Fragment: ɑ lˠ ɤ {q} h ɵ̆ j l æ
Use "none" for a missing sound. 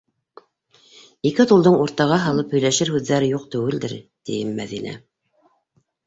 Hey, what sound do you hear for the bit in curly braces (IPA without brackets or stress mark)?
p